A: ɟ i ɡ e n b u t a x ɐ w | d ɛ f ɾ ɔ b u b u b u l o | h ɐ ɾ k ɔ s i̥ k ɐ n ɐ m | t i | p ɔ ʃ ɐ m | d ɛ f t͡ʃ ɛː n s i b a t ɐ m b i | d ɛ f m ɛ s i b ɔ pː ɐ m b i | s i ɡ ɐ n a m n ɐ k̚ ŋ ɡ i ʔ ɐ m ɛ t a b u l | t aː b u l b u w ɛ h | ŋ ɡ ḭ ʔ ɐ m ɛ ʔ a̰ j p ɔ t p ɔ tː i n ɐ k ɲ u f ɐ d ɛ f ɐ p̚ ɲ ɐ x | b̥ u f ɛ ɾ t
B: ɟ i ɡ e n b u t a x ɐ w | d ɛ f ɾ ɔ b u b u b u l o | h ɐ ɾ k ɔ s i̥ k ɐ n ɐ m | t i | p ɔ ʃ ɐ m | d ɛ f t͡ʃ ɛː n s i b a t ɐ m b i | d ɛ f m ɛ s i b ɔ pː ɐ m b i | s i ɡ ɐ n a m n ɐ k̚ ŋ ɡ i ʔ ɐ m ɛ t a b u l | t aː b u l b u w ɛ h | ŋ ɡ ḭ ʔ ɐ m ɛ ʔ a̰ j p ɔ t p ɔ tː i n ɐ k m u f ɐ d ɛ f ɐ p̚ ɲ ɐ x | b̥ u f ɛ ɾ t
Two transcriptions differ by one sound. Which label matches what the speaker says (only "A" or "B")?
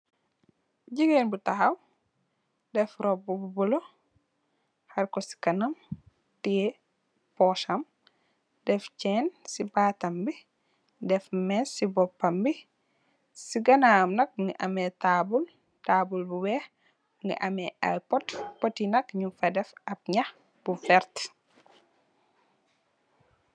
A